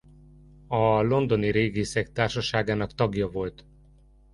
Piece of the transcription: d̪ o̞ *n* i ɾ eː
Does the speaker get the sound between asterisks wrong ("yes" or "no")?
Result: no